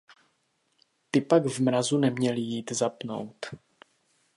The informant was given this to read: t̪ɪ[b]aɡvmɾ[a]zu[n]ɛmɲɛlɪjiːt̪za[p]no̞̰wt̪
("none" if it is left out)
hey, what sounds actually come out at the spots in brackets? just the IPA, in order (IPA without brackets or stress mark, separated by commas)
p, a, n, p